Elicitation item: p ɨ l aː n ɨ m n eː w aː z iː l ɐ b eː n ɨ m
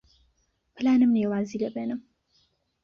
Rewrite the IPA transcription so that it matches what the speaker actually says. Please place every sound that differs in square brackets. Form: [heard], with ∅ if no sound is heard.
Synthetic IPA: p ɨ l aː n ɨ m n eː w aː z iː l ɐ b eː n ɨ m

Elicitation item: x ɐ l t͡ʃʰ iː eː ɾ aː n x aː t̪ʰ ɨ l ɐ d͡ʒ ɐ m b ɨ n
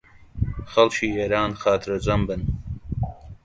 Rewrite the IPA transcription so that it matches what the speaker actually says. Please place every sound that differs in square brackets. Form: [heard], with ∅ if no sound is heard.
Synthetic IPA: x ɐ l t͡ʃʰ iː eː ɾ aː n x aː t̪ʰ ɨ [ɾ] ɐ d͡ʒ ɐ m b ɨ n

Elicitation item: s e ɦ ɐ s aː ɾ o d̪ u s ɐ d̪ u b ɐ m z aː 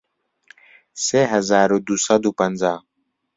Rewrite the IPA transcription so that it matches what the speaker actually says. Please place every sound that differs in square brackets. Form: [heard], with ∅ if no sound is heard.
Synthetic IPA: s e ɦ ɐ [z] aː ɾ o d̪ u s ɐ d̪ u [p] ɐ [n] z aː

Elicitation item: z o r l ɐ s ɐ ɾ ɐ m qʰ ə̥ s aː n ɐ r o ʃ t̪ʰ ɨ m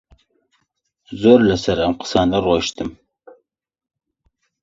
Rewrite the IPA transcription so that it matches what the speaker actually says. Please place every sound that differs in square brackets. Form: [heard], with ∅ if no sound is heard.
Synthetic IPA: z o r l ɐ s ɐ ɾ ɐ m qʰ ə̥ s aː n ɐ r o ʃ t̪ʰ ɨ m

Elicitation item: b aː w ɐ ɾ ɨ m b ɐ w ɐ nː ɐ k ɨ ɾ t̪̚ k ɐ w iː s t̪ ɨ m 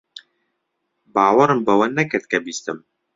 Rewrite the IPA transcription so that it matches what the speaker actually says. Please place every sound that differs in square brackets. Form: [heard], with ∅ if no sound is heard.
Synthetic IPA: b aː w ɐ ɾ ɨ m b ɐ w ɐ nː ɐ k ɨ ɾ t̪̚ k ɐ [b] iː s t̪ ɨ m

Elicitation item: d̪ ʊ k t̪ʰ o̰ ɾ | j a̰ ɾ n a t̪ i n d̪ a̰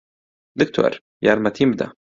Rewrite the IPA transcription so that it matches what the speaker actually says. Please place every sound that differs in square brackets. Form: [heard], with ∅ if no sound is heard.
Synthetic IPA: d̪ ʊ k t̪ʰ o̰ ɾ | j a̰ ɾ [m] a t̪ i [m] d̪ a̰

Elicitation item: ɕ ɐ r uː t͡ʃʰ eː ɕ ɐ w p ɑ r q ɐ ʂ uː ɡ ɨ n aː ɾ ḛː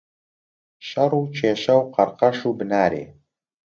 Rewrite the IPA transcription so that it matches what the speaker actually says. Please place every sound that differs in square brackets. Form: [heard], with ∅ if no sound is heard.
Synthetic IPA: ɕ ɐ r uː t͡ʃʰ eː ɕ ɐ w [q] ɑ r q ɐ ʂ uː [b] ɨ n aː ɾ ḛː

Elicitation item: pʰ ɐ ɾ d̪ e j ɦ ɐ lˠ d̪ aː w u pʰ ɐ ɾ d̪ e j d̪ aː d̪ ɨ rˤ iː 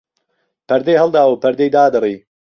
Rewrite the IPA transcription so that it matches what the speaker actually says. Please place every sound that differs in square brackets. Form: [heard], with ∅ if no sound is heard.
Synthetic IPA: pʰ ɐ ɾ d̪ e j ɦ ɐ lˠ d̪ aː w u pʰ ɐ ɾ d̪ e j d̪ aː d̪ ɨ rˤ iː

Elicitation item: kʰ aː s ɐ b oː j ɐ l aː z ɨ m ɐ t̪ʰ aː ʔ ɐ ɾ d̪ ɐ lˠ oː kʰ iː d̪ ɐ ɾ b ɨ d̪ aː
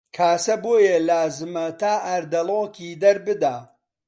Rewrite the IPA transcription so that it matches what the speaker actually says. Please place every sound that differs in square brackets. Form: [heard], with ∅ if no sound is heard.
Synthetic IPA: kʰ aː s ɐ b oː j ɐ l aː z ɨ m ɐ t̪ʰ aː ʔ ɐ ɾ d̪ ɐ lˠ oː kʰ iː d̪ ɐ ɾ b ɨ d̪ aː

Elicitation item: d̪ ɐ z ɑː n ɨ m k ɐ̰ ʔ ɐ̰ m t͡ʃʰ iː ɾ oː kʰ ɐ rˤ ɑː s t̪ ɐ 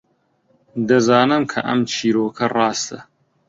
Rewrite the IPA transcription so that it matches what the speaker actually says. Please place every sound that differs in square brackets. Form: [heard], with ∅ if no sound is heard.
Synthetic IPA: d̪ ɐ z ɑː n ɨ m [kʰ] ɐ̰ ʔ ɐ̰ m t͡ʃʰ iː ɾ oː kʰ ɐ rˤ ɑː s t̪ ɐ

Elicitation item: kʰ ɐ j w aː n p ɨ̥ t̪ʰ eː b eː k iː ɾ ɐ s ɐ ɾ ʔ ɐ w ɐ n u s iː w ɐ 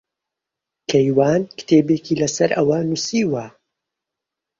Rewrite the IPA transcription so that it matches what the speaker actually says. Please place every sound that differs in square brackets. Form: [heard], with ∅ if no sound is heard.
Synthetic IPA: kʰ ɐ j w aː n [k] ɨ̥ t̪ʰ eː b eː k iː [l] ɐ s ɐ ɾ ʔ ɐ w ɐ n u s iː w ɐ

